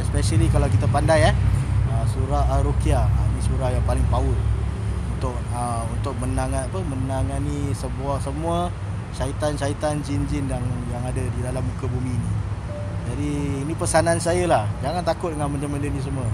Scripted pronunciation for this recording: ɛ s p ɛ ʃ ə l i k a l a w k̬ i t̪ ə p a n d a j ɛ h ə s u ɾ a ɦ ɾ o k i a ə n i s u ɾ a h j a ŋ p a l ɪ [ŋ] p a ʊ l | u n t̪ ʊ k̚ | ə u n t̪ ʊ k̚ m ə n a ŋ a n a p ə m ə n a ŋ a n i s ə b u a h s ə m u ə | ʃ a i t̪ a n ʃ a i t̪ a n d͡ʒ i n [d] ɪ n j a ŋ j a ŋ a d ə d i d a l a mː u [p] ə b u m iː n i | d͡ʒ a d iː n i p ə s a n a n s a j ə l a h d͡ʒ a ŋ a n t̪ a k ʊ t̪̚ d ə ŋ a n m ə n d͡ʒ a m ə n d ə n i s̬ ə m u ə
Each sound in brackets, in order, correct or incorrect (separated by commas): correct, incorrect, incorrect